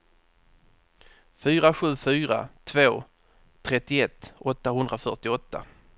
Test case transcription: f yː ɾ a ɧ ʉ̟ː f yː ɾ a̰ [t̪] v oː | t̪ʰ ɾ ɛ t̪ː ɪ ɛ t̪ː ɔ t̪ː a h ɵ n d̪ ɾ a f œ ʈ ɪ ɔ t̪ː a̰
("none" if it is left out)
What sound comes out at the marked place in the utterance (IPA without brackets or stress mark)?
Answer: t̪ʰ